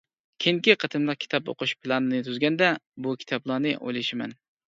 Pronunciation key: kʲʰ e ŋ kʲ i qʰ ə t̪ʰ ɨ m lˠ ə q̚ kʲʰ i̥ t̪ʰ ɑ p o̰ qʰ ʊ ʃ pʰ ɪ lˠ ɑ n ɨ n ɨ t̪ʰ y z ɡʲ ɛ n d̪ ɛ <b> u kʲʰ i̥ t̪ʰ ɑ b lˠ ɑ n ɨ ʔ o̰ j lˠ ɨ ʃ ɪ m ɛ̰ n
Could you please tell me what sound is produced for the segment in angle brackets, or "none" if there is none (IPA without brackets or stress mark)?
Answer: b